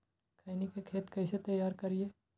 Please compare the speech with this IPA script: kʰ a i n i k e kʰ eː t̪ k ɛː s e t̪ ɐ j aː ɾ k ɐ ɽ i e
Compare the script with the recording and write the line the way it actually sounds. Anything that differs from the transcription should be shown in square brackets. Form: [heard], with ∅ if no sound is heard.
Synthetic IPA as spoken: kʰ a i n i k e kʰ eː t̪ k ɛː s e t̪ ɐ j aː ɾ k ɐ [ɾ] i e